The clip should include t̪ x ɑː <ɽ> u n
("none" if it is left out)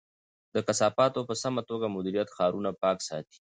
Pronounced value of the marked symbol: ɾ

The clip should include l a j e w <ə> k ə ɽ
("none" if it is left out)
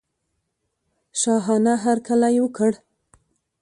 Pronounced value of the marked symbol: ə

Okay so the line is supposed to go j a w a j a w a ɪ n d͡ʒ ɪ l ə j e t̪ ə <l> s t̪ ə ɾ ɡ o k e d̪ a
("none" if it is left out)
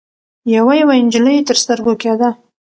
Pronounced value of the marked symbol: ɾ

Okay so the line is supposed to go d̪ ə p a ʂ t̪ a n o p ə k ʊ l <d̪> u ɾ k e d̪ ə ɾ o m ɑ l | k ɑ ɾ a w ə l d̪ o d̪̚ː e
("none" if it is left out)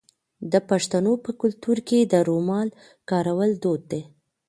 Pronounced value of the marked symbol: t̪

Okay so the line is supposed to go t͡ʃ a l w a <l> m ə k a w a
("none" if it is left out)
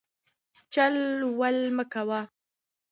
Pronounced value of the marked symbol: l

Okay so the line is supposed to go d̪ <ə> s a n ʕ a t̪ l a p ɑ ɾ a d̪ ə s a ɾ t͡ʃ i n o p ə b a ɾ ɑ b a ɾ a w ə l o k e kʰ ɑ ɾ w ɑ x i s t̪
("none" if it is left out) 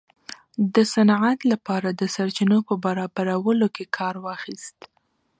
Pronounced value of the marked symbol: ə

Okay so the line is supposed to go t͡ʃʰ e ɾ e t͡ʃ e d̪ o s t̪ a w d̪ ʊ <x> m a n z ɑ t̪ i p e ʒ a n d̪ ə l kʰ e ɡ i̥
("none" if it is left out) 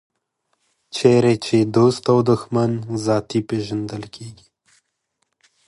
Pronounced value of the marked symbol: x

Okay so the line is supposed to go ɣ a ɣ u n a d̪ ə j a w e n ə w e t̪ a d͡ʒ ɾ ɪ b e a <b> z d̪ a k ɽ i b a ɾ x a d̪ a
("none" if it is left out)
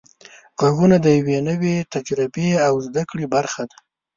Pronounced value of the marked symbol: w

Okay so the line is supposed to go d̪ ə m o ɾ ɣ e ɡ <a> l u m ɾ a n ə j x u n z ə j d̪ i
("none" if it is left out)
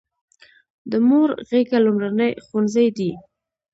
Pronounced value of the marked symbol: a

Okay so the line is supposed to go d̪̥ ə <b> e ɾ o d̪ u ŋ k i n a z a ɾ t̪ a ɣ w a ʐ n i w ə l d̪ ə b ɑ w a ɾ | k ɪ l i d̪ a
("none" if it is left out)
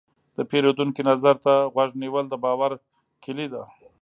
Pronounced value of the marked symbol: p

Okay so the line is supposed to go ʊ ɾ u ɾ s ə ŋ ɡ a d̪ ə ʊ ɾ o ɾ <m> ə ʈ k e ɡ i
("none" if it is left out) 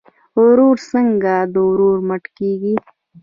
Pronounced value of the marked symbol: m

